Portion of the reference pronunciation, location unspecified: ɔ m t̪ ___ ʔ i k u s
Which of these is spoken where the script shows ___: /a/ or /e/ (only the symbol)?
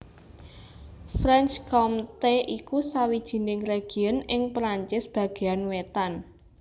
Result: e